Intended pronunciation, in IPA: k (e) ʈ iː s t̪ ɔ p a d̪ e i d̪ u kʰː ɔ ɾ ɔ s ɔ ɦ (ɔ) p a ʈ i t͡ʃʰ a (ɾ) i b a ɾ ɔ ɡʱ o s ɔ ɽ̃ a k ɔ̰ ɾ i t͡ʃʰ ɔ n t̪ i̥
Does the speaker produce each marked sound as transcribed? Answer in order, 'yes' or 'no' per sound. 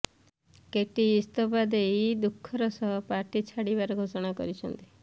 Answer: yes, yes, no

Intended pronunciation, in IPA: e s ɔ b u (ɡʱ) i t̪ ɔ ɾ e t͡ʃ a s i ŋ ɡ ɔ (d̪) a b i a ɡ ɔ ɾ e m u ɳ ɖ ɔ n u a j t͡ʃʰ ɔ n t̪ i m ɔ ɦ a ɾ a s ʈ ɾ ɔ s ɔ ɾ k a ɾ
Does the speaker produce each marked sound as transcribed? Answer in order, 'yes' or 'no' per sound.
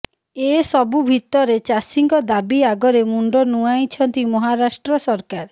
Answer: no, yes

